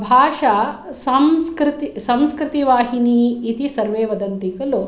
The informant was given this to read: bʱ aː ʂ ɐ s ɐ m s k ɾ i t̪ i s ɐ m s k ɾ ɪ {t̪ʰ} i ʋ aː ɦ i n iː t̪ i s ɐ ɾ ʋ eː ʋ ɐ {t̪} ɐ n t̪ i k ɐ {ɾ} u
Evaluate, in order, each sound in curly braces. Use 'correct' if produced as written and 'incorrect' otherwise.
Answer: incorrect: t̪, incorrect: d̪, incorrect: l

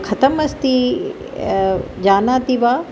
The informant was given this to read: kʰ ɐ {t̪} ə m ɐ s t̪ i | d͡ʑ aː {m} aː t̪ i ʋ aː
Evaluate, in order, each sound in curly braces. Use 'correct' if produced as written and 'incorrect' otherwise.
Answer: correct, incorrect: n

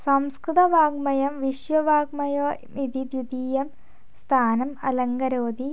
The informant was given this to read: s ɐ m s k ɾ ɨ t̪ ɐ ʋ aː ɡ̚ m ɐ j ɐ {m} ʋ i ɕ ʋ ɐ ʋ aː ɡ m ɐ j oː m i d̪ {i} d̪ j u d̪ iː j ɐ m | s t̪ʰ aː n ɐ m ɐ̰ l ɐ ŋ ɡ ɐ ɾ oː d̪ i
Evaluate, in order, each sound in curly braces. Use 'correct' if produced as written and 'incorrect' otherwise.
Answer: correct, correct

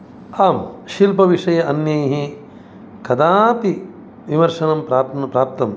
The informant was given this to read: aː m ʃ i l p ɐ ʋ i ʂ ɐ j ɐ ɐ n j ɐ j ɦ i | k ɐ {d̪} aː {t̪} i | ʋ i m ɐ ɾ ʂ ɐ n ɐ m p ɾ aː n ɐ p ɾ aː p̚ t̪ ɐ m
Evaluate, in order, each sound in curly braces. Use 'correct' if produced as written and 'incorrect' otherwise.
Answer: correct, correct

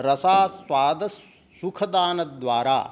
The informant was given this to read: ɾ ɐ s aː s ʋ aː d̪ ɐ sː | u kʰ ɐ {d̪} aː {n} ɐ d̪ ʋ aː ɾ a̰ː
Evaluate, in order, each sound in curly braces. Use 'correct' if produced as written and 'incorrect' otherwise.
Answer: correct, correct

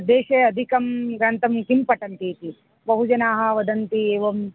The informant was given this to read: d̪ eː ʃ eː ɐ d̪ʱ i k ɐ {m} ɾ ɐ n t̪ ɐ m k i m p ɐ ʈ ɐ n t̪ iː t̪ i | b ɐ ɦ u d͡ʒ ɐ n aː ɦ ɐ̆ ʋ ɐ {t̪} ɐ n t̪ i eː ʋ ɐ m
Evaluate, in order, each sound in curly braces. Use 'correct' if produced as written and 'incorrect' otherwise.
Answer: correct, incorrect: d̪

